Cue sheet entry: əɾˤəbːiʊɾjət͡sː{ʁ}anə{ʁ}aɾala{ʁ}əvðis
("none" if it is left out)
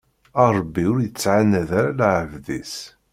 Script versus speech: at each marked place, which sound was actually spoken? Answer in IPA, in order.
ʕ, ð, ʕ

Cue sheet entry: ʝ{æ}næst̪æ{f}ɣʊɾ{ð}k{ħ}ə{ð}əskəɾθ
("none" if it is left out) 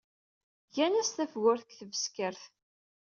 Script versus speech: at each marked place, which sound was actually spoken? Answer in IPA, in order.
æ, f, θ, θ, v

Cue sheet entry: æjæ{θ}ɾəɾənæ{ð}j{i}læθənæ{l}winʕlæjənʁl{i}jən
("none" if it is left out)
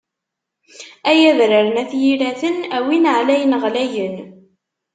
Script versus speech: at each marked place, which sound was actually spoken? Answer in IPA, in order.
ð, θ, i, none, æ

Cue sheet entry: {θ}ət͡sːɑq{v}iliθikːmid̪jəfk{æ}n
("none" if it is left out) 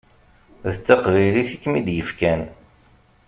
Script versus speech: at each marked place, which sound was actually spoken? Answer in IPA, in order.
ð, v, æ

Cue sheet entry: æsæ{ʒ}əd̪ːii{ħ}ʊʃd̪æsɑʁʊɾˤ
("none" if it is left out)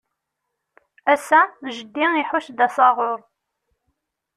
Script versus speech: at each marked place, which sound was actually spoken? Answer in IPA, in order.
ʒ, ħ

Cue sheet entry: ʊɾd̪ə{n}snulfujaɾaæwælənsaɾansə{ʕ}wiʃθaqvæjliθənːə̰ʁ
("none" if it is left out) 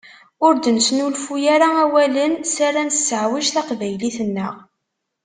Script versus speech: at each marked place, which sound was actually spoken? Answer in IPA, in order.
n, ʕ

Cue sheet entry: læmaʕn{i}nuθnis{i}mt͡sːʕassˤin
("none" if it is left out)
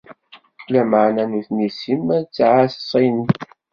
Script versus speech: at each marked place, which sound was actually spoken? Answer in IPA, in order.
æ, i

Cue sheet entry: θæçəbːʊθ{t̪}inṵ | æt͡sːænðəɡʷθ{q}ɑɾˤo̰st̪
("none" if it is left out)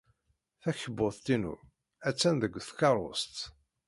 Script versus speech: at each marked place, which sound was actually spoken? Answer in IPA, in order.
t̪, k

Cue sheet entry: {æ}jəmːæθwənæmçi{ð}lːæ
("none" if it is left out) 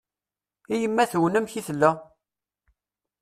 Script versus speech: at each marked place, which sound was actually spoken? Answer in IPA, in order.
i, θ

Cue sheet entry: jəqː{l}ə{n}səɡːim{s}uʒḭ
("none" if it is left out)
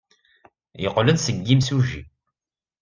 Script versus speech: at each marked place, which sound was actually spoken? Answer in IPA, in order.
l, n, s

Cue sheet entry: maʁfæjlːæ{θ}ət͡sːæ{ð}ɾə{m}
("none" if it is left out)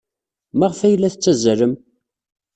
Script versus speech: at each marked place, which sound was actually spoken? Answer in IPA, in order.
θ, z, m

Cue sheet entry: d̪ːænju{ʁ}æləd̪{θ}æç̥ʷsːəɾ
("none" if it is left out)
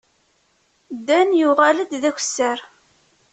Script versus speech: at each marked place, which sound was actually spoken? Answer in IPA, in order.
ʁ, ð

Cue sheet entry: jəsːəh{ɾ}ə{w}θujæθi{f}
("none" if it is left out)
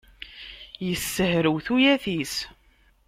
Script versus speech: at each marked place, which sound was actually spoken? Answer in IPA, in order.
ɾ, w, s

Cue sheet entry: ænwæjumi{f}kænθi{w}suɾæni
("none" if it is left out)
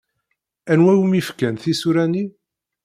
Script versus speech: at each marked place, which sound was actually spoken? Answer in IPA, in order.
f, none

